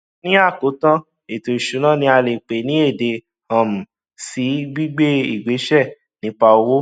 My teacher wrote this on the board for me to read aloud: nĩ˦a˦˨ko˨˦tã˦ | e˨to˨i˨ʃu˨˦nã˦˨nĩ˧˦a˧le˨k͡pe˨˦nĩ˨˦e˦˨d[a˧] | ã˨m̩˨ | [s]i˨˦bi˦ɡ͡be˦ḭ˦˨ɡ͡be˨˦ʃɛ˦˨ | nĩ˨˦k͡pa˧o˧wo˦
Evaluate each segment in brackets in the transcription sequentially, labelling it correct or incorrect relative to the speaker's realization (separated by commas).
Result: incorrect, correct